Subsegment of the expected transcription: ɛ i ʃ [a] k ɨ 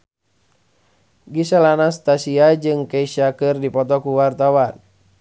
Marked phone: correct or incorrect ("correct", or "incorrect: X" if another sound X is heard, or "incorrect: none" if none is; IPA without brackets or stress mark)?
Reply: correct